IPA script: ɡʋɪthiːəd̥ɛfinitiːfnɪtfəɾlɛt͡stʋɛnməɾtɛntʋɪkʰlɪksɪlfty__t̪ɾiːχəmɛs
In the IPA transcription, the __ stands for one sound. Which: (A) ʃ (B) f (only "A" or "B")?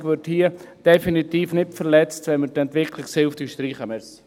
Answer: A